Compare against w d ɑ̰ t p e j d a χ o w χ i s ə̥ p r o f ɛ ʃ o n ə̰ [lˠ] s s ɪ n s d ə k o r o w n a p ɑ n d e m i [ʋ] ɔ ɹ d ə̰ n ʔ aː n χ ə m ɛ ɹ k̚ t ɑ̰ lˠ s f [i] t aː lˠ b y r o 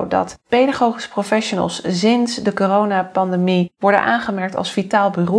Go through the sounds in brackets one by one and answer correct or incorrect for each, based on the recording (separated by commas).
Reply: correct, correct, correct